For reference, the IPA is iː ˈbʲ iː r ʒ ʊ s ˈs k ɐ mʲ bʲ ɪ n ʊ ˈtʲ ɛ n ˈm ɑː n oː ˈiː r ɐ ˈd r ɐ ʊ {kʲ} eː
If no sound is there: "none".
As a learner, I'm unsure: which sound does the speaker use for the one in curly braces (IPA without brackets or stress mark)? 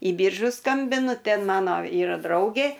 ɡʲ